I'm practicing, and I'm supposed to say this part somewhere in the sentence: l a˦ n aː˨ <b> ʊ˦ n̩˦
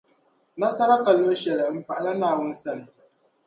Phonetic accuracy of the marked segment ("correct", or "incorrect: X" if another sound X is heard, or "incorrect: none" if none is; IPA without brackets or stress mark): incorrect: w